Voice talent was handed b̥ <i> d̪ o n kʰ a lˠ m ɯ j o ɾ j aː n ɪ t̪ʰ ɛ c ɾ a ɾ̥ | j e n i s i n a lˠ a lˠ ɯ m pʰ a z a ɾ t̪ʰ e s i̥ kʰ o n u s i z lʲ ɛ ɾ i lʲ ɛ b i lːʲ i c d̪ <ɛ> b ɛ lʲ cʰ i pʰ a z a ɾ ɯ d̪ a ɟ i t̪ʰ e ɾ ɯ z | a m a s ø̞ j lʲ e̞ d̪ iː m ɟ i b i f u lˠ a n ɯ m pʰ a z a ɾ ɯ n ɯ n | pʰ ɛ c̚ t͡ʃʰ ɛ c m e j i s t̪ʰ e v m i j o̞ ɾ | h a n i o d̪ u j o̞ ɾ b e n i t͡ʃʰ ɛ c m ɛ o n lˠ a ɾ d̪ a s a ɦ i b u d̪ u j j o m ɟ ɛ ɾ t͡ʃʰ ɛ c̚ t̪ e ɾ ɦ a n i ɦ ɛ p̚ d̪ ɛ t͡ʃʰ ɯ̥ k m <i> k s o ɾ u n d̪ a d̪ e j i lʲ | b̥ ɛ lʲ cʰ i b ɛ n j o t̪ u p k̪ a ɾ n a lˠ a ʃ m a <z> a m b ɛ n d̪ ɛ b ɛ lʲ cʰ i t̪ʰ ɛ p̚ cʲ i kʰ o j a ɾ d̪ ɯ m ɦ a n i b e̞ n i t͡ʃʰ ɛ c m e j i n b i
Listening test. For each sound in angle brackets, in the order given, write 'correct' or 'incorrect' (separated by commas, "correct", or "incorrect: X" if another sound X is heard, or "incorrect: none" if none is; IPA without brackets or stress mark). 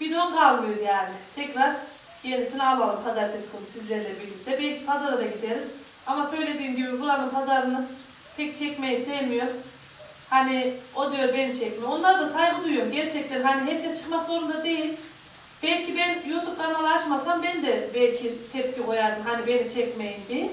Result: correct, correct, incorrect: a, incorrect: s